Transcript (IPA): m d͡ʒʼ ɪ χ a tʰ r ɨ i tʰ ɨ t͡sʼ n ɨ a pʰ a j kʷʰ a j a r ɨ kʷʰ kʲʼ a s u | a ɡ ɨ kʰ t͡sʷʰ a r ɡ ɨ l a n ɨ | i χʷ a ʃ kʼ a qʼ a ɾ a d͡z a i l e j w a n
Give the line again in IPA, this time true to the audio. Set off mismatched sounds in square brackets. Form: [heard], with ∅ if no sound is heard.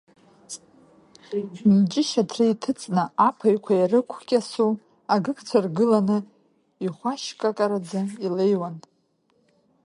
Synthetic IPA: m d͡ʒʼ ɪ [ʃ] a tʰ r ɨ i tʰ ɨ t͡sʼ n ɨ a pʰ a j kʷʰ a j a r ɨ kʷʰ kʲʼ a s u | a ɡ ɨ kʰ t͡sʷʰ a r ɡ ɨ l a n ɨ | i χʷ a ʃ kʼ a [kʼ] a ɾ a d͡z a i l e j w a n